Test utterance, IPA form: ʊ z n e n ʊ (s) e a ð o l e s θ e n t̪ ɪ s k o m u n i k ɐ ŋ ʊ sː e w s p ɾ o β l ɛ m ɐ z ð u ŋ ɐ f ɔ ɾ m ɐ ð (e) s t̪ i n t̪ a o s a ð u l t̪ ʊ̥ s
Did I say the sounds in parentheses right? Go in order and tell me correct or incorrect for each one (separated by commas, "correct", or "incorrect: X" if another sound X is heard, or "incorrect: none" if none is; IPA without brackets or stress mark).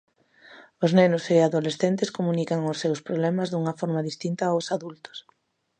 correct, incorrect: i